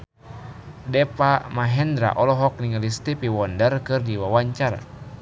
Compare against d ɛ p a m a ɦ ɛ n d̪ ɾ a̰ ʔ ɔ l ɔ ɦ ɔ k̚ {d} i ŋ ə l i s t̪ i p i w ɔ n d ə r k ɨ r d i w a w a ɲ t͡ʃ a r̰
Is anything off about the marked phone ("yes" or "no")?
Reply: yes